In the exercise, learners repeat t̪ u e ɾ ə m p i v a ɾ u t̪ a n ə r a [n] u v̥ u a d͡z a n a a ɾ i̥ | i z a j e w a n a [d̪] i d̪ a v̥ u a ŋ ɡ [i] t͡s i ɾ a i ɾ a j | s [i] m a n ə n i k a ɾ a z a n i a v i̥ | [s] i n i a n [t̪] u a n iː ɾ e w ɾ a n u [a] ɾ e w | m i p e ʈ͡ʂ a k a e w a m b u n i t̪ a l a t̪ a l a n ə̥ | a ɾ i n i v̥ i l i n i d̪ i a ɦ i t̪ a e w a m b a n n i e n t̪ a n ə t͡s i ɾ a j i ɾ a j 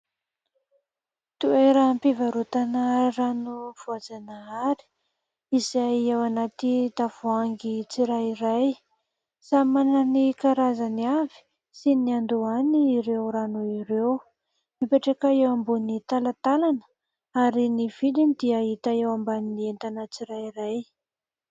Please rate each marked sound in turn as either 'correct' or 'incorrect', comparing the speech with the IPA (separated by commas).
correct, incorrect, correct, incorrect, correct, incorrect, incorrect